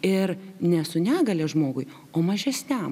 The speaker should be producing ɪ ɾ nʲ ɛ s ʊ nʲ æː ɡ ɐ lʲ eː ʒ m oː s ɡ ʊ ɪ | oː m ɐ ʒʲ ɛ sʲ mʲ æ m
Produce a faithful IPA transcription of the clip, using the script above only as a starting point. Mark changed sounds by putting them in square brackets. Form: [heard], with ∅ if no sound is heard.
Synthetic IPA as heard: ɪ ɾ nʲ ɛ s ʊ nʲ æː ɡ ɐ lʲ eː ʒ m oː [∅] ɡ ʊ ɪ | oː m ɐ ʒʲ ɛ sʲ [nʲ] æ m